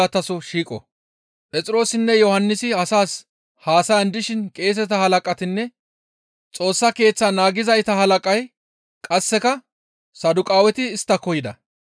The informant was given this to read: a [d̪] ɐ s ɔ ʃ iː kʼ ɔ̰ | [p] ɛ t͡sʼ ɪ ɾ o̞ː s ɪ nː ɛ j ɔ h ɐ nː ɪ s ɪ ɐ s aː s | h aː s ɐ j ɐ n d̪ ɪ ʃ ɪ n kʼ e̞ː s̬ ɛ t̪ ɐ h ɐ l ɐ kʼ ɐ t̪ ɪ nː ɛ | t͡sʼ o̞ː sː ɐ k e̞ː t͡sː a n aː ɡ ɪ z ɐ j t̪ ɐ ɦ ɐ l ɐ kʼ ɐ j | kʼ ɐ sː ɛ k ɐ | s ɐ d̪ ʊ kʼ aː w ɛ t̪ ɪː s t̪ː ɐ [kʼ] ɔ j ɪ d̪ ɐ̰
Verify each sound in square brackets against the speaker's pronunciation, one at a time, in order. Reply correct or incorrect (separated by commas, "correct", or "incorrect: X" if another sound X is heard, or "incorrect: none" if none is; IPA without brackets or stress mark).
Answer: incorrect: t̪, incorrect: pʼ, incorrect: k